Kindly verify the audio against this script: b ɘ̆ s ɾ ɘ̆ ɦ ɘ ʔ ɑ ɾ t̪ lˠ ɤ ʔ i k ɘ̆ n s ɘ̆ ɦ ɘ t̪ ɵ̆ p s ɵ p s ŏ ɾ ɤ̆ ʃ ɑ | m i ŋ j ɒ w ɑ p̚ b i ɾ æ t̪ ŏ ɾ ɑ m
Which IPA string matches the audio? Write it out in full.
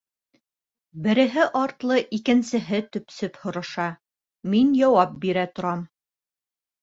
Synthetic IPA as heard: b ɘ̆ ɾ ɘ̆ ɦ ɘ ʔ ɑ ɾ t̪ lˠ ɤ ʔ i k ɘ̆ n s ɘ̆ ɦ ɘ t̪ ɵ̆ p s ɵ p h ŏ ɾ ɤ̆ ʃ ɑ | m i n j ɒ w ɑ p̚ b i ɾ æ t̪ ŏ ɾ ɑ m